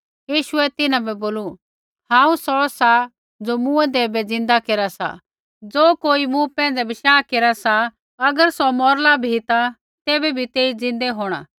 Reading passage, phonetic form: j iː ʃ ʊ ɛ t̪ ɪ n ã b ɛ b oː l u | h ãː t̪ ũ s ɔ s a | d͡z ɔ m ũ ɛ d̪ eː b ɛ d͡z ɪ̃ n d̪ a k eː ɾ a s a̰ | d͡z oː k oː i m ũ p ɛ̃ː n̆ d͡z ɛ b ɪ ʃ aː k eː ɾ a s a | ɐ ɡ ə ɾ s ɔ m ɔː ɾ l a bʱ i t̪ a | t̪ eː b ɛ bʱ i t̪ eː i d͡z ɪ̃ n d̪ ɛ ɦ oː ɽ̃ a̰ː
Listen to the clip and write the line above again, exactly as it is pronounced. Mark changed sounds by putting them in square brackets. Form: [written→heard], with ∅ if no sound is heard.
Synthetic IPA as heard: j iː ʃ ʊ ɛ t̪ ɪ n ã b ɛ b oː l u | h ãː [t̪→∅] ũ s ɔ s a | d͡z [ɔ→o] m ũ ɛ d̪ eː b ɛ d͡z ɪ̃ n d̪ a k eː ɾ a s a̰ | d͡z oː k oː i m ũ p ɛ̃ː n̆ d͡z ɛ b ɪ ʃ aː k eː ɾ a s a | ɐ ɡ ə ɾ s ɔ m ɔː ɾ l a bʱ i t̪ a | t̪ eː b ɛ bʱ i t̪ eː i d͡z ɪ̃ n d̪ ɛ ɦ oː ɽ̃ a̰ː